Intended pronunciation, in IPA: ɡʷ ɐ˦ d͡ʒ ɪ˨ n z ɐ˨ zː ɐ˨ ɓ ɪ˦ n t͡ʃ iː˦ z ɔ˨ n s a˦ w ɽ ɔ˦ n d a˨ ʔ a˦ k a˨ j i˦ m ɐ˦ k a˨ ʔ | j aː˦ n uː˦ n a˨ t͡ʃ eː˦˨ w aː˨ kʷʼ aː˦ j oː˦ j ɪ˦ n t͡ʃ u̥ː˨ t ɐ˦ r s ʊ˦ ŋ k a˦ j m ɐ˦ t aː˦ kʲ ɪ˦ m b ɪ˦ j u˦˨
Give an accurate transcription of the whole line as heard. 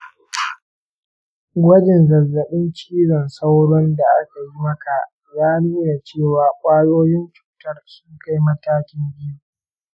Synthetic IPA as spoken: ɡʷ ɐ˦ d͡ʒ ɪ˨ n z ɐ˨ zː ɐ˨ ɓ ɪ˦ n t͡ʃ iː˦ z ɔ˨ n s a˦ w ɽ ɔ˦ n d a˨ ʔ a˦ k a˨ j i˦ m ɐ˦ k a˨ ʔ | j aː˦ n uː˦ n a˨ t͡ʃ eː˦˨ w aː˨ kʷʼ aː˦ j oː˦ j ɪ˦ n t͡ʃ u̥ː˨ t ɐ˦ r s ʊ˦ ŋ k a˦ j m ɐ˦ t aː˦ kʲ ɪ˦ m b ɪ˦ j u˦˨